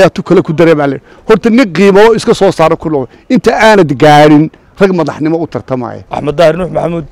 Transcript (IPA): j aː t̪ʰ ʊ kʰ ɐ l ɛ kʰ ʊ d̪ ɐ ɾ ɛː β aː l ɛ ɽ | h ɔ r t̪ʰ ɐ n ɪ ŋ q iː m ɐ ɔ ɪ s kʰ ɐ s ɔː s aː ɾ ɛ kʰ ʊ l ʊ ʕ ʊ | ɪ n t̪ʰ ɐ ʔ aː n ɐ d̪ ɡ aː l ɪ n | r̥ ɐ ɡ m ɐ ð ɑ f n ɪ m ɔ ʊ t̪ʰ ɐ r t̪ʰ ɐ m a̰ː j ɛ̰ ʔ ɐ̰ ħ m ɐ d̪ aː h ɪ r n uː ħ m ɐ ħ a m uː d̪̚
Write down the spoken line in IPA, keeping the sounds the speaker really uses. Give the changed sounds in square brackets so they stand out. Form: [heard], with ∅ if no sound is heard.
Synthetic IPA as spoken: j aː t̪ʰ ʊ kʰ ɐ l ɛ kʰ ʊ d̪ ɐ ɾ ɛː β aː l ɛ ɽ | h ɔ r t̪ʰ ɐ n ɪ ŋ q iː m ɐ ɔ ɪ s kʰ ɐ s ɔː s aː ɾ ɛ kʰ ʊ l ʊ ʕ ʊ | ɪ n t̪ʰ ɐ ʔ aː n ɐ d̪ ɡ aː [ɽ] ɪ n | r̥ ɐ ɡ m ɐ ð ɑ [ħ] n ɪ m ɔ ʊ t̪ʰ ɐ r t̪ʰ ɐ m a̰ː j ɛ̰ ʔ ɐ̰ ħ m ɐ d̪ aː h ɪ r n uː ħ m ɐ ħ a m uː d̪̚